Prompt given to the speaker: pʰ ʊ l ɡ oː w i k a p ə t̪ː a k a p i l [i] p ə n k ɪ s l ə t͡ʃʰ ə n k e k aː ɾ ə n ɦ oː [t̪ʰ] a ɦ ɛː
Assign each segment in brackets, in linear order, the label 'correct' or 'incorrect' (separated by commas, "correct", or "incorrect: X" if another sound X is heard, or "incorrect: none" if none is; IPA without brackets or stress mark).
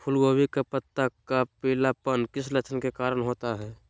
incorrect: a, incorrect: t̪